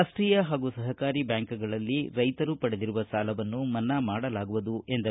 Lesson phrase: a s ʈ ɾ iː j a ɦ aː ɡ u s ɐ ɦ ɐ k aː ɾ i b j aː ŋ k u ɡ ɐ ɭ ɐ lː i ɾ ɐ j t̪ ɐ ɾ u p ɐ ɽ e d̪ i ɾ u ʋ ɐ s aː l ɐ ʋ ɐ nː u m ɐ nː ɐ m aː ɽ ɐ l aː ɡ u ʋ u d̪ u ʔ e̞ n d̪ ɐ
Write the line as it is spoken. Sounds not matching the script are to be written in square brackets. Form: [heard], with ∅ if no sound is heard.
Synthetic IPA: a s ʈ ɾ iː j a ɦ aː ɡ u s ɐ ɦ ɐ k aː ɾ i b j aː ŋ k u ɡ ɐ ɭ ɐ lː i ɾ ɐ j t̪ ɐ ɾ u p ɐ ɽ e d̪ i ɾ u ʋ ɐ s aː l ɐ ʋ ɐ nː u m ɐ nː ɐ m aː ɽ ɐ l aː ɡ u ʋ u d̪ u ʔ e̞ n d̪ ɐ